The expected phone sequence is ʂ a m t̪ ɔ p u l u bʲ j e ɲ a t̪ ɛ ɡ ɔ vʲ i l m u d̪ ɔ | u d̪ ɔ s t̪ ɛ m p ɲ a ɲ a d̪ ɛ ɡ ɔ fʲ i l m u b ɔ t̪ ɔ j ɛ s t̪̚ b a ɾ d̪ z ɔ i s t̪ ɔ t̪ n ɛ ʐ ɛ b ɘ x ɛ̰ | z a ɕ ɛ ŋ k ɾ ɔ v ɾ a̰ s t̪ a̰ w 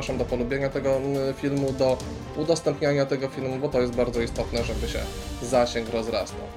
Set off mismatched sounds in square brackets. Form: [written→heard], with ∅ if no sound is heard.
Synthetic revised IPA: ʂ a m [t̪→d̪] ɔ p [u→ɔ] l u bʲ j e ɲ a t̪ ɛ ɡ ɔ [vʲ→fʲ] i l m u d̪ ɔ | u d̪ ɔ s t̪ ɛ m p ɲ a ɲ a [d̪→t̪] ɛ ɡ ɔ fʲ i l m u b ɔ t̪ ɔ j ɛ s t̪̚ b a ɾ d̪ z ɔ i s t̪ ɔ t̪ n ɛ ʐ ɛ b ɘ [x→ɕ] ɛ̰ | z a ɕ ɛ ŋ k ɾ ɔ [v→z] ɾ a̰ s t̪ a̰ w